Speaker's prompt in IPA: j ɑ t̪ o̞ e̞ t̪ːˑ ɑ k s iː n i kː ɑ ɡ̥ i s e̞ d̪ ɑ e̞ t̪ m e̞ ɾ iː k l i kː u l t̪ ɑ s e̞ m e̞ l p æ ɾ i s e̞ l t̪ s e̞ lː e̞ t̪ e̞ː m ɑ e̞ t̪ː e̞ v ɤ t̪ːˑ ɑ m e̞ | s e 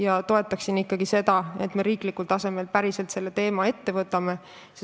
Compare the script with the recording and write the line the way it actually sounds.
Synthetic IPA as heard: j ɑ t̪ o̞ e̞ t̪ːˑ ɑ k s i n i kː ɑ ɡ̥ i s e̞ d̪ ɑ e̞ t̪ m e̞ ɾ iː k l i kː u l t̪ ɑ s e̞ m e̞ l p æ ɾ i s e̞ l t̪ s e̞ lː e̞ t̪ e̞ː m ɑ e̞ t̪ː e̞ v ɤ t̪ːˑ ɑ m e̞ | s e